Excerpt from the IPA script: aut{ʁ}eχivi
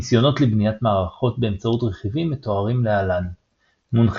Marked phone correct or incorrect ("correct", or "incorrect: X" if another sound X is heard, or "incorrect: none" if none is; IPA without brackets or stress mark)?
correct